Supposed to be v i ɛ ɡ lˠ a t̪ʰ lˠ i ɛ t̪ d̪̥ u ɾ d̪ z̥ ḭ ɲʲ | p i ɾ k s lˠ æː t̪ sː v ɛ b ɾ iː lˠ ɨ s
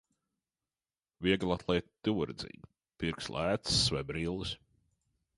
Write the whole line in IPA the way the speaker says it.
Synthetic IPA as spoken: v i ɛ ɡ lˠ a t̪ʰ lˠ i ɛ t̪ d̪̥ u ɾ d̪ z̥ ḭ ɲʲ | p i ɾ k s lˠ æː t̪ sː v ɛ b ɾ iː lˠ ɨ s